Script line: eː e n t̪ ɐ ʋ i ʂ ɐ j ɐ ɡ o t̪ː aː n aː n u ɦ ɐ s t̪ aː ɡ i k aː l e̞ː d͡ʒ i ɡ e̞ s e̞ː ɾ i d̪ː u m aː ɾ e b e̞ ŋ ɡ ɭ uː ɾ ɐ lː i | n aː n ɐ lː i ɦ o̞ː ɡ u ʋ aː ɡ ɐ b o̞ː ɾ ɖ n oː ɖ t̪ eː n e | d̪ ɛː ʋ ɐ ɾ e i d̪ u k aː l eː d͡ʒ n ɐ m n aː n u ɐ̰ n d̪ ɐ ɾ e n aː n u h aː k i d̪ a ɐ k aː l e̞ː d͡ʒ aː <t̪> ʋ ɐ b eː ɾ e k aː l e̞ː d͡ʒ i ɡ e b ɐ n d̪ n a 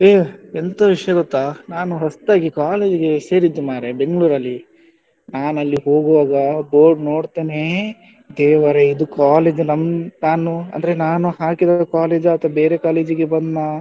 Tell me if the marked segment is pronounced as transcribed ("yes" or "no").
yes